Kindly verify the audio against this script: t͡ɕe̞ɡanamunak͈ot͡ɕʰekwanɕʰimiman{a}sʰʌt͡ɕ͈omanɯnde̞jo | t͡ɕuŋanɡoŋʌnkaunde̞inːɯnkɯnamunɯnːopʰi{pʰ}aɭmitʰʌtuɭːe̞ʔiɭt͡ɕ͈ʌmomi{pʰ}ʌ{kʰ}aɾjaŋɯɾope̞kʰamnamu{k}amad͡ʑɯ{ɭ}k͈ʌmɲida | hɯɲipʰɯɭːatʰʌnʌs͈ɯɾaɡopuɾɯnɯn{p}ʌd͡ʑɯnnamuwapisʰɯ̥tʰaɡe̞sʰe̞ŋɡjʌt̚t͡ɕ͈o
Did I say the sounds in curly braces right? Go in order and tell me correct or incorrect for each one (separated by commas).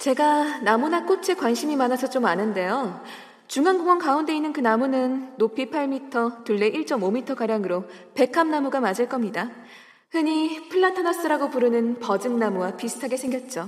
correct, correct, incorrect, incorrect, incorrect, correct, correct